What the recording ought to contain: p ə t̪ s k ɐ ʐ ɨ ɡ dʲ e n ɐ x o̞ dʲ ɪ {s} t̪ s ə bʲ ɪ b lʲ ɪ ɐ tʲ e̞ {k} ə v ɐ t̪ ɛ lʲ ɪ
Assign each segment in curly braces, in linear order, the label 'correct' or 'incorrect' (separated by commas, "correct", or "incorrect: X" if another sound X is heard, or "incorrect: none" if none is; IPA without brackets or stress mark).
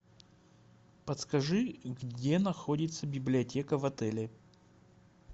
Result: incorrect: none, correct